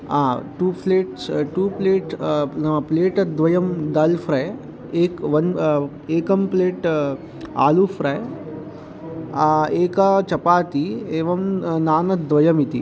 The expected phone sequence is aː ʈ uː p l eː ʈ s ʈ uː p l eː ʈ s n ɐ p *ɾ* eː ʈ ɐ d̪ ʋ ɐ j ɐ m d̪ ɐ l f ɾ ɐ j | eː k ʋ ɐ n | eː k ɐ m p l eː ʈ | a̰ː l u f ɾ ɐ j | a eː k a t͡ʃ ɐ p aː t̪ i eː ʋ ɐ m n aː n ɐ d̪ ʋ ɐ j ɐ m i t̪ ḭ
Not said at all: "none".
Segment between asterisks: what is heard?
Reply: l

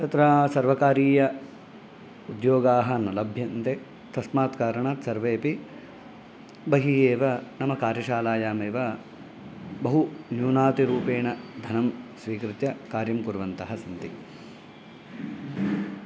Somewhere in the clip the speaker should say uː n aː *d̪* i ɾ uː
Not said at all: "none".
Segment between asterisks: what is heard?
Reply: t̪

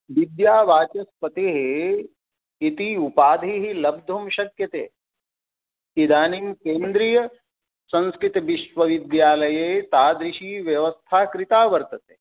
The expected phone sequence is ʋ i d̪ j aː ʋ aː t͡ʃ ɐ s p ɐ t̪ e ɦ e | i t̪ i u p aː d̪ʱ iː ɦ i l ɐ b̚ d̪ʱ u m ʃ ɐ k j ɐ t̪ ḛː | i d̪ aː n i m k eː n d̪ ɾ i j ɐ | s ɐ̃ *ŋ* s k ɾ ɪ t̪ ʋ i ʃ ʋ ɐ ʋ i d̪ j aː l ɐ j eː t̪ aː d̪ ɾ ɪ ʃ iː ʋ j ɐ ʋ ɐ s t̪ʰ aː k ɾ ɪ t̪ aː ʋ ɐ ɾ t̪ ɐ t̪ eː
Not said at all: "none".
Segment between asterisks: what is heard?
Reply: n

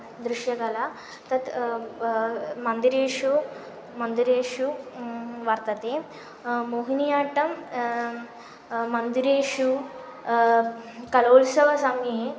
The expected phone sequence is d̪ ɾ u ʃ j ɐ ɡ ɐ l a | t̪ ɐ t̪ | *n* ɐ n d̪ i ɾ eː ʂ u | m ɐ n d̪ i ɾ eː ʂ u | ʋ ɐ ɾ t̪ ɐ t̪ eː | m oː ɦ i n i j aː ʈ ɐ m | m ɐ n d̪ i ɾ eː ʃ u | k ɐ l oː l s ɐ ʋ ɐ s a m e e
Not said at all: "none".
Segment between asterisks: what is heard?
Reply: m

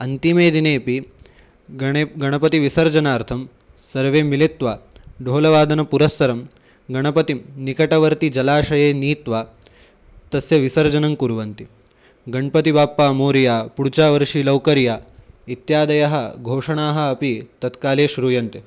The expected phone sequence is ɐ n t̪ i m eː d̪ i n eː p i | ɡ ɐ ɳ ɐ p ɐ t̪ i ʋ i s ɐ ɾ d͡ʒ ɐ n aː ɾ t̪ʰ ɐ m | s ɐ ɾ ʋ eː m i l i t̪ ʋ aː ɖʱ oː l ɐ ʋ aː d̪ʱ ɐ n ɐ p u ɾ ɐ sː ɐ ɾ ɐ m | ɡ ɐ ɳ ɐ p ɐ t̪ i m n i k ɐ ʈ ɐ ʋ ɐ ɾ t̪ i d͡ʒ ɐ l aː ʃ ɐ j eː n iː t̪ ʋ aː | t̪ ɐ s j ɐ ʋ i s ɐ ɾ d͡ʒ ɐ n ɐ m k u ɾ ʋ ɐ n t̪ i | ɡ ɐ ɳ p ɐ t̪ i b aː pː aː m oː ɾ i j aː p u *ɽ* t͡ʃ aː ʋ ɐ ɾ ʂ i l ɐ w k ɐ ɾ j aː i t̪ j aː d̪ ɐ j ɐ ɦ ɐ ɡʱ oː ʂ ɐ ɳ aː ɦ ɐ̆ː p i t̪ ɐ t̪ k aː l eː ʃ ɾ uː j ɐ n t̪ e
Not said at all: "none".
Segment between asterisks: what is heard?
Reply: ɽ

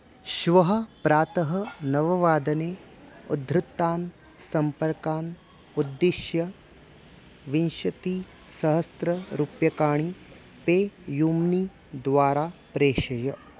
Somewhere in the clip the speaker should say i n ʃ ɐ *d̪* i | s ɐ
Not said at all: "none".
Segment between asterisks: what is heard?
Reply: t̪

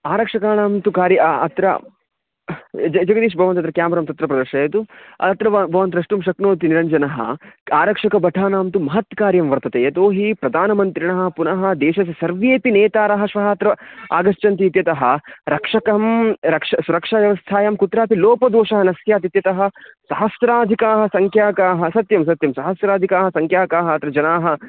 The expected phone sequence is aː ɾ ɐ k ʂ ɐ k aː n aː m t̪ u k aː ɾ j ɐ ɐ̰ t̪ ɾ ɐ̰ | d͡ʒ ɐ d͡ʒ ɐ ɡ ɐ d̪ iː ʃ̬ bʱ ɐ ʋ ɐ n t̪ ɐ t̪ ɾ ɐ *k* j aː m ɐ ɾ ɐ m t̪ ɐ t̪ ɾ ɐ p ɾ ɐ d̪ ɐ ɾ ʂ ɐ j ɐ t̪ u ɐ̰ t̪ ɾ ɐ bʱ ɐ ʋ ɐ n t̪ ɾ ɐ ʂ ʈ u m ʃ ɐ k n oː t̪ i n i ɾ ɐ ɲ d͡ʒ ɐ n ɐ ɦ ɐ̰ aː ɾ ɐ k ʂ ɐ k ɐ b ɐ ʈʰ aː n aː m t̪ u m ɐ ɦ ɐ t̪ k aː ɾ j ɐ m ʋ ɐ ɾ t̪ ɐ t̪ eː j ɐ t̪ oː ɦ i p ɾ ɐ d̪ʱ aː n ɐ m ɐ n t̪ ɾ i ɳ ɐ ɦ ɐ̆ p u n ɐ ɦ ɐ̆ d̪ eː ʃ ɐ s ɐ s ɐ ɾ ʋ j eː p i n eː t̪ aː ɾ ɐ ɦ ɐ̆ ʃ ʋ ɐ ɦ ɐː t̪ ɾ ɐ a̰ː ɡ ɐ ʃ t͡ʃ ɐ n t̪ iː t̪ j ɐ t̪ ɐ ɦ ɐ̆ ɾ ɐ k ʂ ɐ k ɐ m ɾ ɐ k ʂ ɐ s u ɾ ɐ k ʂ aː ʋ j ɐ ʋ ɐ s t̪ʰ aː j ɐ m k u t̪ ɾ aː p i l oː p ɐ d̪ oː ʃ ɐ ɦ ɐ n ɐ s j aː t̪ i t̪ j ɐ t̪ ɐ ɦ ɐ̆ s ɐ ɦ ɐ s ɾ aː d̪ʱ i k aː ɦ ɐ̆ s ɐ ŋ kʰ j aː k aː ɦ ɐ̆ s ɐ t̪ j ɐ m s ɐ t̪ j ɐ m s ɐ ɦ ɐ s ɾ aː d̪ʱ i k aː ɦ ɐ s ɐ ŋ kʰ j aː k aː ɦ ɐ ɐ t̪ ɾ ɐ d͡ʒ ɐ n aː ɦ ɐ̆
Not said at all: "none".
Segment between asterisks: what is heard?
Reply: k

